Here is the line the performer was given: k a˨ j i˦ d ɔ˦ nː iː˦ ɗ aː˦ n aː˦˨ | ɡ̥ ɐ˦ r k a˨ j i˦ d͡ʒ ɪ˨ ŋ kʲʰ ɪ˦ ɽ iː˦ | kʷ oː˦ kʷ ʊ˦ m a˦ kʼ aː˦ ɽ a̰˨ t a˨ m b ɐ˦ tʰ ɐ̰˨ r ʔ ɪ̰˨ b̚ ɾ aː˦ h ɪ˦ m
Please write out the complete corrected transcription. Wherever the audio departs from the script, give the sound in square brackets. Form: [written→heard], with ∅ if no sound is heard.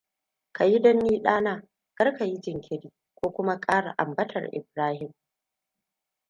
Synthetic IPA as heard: k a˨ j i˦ d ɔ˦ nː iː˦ ɗ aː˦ n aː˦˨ | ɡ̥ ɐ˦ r k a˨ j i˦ d͡ʒ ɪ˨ ŋ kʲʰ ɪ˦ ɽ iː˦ | kʷ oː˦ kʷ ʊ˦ m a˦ kʼ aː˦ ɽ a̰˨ [t→ʔ] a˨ m b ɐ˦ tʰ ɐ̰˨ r ʔ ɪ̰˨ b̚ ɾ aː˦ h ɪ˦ m